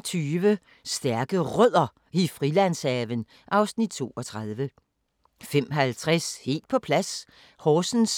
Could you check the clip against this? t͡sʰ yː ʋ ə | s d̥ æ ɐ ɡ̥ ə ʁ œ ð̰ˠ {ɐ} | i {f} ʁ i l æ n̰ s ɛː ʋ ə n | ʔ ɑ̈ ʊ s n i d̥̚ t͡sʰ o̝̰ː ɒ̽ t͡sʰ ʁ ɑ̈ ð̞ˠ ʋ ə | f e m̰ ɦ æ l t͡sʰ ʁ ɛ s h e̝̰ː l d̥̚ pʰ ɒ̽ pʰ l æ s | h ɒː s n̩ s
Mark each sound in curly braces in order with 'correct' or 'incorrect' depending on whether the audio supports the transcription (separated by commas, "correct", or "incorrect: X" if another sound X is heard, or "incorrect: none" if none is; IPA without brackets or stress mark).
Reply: correct, correct